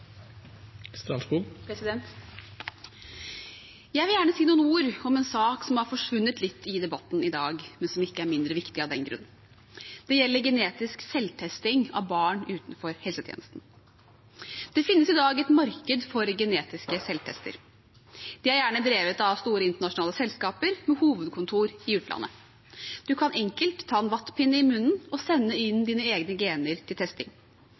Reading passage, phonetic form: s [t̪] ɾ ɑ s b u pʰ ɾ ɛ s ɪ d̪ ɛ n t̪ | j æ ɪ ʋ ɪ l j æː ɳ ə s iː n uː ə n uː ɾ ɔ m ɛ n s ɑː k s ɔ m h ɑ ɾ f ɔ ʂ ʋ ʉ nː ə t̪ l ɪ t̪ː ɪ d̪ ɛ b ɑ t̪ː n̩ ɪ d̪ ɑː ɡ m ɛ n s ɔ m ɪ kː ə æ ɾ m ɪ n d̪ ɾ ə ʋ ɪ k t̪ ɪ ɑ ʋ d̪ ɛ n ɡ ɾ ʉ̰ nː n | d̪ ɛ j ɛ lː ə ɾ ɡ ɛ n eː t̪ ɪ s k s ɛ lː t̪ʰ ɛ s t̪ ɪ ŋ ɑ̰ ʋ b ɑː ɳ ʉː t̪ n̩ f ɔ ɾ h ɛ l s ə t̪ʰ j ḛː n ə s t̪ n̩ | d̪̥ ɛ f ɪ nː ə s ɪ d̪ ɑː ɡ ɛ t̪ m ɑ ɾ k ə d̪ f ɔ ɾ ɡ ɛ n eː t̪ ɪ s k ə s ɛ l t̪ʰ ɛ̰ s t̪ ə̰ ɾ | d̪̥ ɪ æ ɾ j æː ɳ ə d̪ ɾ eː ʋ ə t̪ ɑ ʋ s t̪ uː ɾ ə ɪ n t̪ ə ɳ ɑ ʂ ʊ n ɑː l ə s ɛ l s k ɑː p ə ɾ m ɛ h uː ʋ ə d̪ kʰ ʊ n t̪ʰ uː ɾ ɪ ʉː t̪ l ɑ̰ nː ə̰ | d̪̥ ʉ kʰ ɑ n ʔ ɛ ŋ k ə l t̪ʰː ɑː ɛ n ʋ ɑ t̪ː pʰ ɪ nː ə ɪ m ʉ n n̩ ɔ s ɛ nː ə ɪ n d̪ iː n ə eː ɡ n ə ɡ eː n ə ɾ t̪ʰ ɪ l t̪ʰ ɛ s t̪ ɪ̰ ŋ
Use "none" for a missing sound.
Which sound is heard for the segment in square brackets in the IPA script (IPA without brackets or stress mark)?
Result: t̪